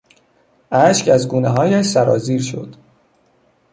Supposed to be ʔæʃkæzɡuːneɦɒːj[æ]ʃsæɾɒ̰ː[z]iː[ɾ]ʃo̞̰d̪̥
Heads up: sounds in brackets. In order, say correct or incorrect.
correct, correct, correct

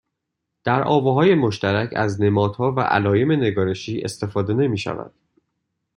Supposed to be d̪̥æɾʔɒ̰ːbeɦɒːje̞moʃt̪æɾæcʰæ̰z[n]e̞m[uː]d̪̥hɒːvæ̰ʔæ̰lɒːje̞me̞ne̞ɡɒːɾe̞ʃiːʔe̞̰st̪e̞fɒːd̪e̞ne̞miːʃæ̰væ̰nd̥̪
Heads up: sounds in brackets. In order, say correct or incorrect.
correct, incorrect: ɒː

